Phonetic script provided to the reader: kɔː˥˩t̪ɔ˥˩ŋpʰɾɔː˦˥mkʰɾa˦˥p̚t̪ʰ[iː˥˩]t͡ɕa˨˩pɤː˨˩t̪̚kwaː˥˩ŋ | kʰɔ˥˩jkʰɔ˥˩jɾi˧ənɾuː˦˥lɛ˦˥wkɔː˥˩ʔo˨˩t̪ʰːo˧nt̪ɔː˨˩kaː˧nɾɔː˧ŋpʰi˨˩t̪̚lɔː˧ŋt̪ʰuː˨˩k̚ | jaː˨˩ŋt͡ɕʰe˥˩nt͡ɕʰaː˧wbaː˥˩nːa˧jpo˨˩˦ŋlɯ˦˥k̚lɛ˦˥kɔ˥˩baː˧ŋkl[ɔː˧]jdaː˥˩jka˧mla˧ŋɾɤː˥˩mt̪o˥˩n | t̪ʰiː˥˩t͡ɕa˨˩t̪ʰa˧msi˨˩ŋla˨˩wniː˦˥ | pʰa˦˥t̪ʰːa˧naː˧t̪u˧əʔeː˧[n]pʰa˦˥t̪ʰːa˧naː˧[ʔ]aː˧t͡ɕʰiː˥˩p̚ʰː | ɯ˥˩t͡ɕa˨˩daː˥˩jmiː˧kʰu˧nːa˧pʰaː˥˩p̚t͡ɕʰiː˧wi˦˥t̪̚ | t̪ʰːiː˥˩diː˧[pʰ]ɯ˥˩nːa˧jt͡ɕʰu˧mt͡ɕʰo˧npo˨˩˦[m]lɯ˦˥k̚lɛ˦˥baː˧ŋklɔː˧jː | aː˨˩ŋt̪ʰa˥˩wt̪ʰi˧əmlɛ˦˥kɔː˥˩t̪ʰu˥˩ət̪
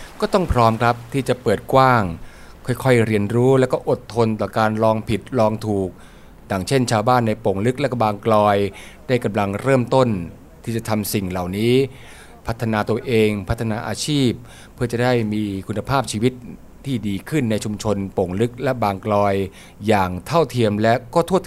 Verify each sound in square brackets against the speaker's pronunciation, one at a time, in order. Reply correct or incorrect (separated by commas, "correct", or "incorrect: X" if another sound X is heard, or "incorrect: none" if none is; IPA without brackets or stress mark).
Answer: correct, correct, incorrect: ŋ, correct, incorrect: kʰ, incorrect: ŋ